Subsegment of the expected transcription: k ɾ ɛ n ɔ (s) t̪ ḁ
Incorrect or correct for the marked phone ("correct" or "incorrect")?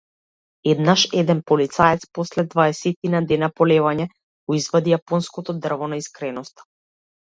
correct